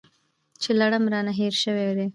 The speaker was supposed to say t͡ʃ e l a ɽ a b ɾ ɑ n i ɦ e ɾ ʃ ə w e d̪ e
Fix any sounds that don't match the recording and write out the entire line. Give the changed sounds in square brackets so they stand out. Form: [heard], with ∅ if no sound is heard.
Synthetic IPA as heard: t͡ʃ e l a ɽ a [m] ɾ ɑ n [a] ɦ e ɾ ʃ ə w e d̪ e